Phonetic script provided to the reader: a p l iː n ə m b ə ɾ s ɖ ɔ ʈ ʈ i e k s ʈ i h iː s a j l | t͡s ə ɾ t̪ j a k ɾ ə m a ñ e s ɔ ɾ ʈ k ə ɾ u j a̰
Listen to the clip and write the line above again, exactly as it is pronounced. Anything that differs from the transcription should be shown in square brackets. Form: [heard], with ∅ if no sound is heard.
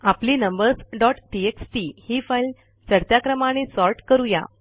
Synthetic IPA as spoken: a p l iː n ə m b ə ɾ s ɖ ɔ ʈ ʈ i e k s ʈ i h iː [f] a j l | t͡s ə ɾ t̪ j a k ɾ ə m a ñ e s ɔ ɾ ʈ k ə ɾ u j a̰